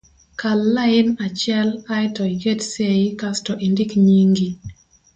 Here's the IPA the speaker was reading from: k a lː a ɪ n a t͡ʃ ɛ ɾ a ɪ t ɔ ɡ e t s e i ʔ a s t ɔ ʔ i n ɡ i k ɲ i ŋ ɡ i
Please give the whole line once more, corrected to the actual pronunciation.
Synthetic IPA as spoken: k a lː a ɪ n a t͡ʃ ɛ l a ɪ t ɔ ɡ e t s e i k a s t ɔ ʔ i n d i k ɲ i ŋ ɡ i